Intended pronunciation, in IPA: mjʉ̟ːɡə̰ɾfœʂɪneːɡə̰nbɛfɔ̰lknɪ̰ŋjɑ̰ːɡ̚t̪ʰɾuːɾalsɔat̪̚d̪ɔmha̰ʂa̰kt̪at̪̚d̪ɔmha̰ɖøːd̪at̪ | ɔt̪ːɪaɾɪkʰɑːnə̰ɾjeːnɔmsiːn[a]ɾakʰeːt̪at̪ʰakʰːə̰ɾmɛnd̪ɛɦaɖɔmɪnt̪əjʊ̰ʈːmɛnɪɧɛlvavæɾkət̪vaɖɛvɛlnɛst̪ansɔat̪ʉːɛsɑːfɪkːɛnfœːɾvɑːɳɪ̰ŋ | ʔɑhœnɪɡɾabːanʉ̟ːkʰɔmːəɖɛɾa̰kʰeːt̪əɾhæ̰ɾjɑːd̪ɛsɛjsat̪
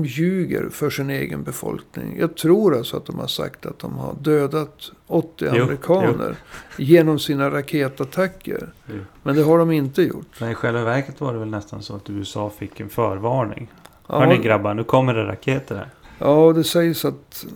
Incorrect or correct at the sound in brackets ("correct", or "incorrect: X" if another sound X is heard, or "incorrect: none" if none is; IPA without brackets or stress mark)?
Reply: correct